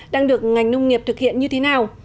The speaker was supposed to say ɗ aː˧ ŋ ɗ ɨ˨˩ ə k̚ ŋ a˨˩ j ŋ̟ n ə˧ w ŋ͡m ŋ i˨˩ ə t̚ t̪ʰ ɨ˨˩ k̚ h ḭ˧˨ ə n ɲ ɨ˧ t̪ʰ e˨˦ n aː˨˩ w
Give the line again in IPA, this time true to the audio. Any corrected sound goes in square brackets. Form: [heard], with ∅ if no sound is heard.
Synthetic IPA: ɗ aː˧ ŋ ɗ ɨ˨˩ ə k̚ ŋ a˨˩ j ŋ̟ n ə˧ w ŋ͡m ŋ i˨˩ ə [p̚] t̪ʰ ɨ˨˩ k̚ h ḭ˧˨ ə n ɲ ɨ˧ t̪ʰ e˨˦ n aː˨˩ w